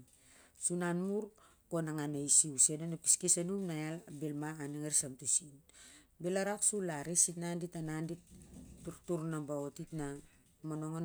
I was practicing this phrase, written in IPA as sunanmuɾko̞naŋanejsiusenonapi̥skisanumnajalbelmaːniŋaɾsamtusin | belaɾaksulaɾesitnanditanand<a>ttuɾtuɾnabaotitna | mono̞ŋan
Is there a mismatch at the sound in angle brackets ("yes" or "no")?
yes